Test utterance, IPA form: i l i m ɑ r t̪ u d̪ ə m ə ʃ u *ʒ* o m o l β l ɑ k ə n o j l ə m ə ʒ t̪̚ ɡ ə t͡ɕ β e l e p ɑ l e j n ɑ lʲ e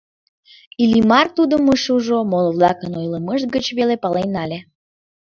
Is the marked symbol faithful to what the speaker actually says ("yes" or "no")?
yes